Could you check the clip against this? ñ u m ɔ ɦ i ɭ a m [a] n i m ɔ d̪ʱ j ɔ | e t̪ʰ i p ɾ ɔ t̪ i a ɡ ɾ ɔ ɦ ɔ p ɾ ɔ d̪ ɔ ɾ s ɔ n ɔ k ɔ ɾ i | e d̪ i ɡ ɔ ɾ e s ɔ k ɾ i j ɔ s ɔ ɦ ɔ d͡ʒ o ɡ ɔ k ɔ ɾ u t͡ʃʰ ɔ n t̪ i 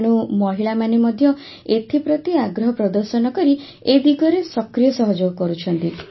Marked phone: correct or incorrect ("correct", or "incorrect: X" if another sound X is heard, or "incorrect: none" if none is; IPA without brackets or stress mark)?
correct